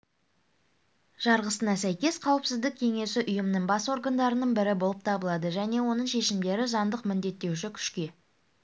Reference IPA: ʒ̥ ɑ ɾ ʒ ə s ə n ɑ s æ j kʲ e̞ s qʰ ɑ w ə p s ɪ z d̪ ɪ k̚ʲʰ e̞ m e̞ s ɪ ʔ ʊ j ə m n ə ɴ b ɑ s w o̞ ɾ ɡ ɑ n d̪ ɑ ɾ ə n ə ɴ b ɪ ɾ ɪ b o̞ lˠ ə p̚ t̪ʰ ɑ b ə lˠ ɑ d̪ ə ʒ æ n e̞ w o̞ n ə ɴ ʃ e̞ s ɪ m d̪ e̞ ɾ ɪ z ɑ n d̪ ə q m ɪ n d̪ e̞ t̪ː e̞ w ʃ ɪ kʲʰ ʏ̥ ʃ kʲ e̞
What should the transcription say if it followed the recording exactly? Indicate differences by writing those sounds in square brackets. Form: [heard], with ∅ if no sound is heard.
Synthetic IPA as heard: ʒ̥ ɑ ɾ [ʁ] ə s ə n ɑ s æ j kʲ e̞ s qʰ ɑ w ə p s ɪ z d̪ ɪ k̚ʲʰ e̞ [ŋ] e̞ s ɪ ʔ ʊ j ə m n ə ɴ b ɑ s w o̞ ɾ ɡ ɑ n d̪ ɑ ɾ ə n ə ɴ b ɪ ɾ ɪ b o̞ lˠ ə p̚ t̪ʰ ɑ b ə lˠ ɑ d̪ ə ʒ æ n e̞ w o̞ n ə ɴ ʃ e̞ [ʃ] ɪ m d̪ e̞ ɾ ɪ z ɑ n d̪ ə q m ɪ n d̪ e̞ t̪ː e̞ w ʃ ɪ kʲʰ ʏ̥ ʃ kʲ e̞